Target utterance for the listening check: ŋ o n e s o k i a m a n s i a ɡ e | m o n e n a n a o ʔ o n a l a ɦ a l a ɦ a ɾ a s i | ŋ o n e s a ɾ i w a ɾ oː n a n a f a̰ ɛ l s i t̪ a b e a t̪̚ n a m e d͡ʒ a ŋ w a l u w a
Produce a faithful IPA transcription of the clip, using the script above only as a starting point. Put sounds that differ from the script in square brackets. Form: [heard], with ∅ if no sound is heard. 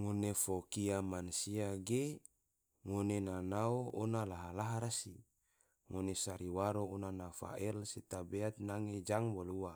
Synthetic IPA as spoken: ŋ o n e [f] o k i a m a n s i a ɡ e | [ŋ] o n e n a n a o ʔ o n a l a ɦ a l a ɦ a ɾ a s i | ŋ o n e s a ɾ i w a ɾ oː n a n a f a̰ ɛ l s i t̪ a b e a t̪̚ n a [ŋ] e d͡ʒ a ŋ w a l u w a